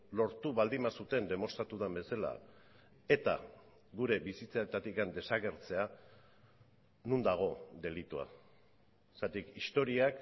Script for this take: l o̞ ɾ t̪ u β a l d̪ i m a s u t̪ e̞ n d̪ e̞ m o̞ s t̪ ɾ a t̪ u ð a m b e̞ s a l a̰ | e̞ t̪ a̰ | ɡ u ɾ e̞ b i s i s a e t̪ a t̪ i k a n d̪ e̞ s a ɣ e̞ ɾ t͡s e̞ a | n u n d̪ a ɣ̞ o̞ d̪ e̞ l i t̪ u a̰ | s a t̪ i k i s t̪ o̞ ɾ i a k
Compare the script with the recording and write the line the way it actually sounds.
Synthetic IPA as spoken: l o̞ ɾ t̪ u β a l d̪ i m a s u t̪ e̞ n d̪ e̞ m o̞ s t̪ ɾ a t̪ u ð a m b e̞ s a l a̰ | e̞ t̪ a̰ | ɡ u ɾ e̞ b i s i t͡s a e t̪ a t̪ i k a n d̪ e̞ s a ɣ e̞ ɾ t͡s e̞ a | n u n d̪ a ɣ̞ o̞ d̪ e̞ l i t̪ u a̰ | s a t̪ i k i s t̪ o̞ ɾ i a k

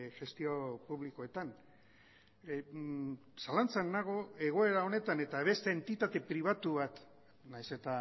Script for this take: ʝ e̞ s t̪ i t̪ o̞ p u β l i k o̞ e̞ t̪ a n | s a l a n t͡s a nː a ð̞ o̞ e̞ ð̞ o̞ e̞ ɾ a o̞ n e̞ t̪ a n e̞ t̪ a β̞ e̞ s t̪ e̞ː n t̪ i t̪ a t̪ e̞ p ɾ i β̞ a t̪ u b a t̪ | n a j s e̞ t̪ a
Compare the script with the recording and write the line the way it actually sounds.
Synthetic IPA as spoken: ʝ e̞ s t̪ i o̞ p u β l i k o̞ e̞ t̪ a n | s a l a n t͡s a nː a ɣ̞ o̞ e̞ ɣ̞ o̞ e̞ ɾ a o̞ n e̞ t̪ a n e̞ t̪ a β̞ e̞ s t̪ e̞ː n t̪ i t̪ a t̪ e̞ p ɾ i β̞ a t̪ u β a t̪ | n a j s e̞ t̪ a

